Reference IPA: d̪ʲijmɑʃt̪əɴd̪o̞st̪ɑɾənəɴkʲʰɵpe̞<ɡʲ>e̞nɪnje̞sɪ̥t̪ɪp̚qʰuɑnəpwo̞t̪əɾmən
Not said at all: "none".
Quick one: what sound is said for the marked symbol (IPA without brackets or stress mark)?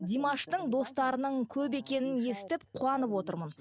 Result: kʲ